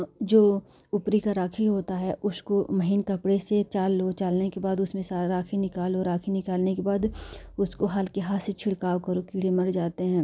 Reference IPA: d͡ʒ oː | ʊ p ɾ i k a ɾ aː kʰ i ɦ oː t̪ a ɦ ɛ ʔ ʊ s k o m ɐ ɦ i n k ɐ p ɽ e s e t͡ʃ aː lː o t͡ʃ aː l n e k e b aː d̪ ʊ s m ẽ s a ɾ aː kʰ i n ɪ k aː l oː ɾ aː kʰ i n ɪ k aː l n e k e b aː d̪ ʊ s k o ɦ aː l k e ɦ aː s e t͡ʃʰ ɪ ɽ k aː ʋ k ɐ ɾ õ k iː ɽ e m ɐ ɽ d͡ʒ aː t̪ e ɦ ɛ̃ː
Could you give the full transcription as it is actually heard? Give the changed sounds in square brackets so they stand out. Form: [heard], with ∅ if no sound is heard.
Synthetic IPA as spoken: d͡ʒ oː | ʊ p ɾ i k a ɾ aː kʰ i ɦ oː t̪ a ɦ ɛ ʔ ʊ s k o m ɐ ɦ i n k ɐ p ɽ e s e t͡ʃ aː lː o t͡ʃ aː l n e k e b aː d̪ ʊ s m ẽ s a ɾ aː kʰ i n ɪ k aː l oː ɾ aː kʰ i n ɪ k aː l n e k e b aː d̪ ʊ s k o ɦ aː l k e ɦ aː s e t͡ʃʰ ɪ ɽ k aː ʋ k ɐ ɾ [o] k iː ɽ e m ɐ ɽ d͡ʒ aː t̪ e ɦ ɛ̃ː